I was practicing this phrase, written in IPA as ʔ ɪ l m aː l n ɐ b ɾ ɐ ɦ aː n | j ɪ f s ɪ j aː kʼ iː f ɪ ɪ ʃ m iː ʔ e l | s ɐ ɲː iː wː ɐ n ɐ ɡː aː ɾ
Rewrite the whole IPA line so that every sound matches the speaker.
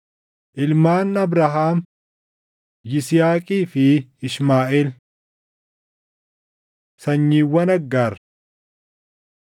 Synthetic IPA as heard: ʔ ɪ l m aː n ɐ b ɾ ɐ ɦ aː m | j ɪ s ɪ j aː kʼ iː f ɪ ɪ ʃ m aː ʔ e l | s ɐ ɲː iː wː ɐ n ɐ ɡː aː ɾ